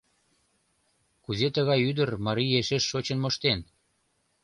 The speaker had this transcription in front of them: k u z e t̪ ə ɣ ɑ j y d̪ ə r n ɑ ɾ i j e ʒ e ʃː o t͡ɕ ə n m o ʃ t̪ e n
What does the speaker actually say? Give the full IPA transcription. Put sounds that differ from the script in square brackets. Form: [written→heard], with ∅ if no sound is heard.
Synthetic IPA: k u z e t̪ ə ɣ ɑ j y d̪ ə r [n→m] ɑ ɾ i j e [ʒ→ʃ] e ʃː o t͡ɕ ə n m o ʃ t̪ e n